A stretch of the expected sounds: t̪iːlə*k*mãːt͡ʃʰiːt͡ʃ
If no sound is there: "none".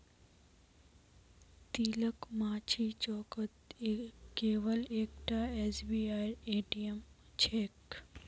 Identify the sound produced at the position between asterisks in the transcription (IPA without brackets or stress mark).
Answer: k